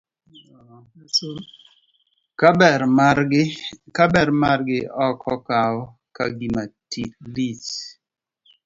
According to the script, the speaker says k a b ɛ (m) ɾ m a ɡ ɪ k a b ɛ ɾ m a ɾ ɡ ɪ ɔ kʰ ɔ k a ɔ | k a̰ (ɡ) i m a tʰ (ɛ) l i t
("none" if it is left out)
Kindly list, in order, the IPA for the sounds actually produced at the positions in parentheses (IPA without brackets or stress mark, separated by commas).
none, ɡ, i